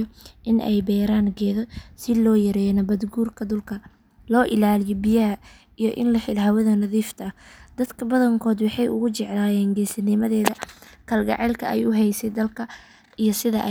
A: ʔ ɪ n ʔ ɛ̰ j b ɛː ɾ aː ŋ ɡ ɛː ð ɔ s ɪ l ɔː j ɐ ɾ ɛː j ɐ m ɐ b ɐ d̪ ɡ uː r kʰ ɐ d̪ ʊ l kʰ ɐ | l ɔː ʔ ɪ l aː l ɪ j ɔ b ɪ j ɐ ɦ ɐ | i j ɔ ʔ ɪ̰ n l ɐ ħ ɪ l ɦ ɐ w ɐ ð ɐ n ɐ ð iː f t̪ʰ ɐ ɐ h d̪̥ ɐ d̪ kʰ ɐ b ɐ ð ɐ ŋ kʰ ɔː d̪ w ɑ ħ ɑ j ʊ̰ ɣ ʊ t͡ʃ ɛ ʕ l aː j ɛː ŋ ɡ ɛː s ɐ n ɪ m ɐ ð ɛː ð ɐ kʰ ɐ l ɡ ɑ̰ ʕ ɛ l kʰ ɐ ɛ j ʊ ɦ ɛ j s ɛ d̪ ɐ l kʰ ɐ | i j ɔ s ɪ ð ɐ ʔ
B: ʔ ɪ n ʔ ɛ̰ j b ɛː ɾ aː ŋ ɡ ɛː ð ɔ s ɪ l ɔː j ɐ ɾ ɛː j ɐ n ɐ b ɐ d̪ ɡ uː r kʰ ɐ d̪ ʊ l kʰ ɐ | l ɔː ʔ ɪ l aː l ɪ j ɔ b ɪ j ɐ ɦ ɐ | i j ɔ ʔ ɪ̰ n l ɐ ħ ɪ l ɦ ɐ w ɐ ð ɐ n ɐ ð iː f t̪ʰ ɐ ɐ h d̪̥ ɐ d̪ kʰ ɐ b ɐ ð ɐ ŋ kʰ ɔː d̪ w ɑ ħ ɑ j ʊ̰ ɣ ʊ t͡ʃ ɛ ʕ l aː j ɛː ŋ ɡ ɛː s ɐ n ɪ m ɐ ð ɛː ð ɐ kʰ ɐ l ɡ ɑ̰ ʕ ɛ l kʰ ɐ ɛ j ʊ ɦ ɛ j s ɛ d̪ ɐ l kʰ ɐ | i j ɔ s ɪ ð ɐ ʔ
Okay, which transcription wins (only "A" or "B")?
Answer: B